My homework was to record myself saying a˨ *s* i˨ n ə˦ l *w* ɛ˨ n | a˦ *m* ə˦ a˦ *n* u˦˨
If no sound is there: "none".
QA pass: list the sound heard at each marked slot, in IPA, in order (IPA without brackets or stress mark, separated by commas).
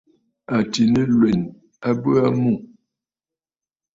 t, w, b, m